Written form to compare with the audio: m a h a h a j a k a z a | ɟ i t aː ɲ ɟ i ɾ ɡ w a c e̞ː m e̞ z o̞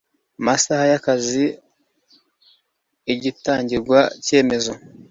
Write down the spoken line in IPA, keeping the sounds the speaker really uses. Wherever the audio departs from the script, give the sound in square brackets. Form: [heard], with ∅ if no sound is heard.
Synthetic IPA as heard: m a [s] a h a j a k a z [i] | ɟ i t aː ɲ ɟ i ɾ ɡ w a c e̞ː m e̞ z o̞